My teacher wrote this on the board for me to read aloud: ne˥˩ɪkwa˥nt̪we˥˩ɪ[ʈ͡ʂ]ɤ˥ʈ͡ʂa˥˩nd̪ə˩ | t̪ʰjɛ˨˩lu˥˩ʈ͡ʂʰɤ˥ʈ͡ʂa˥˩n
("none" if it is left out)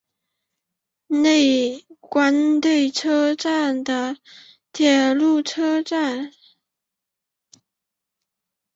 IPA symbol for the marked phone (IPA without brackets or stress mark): ʈ͡ʂʰ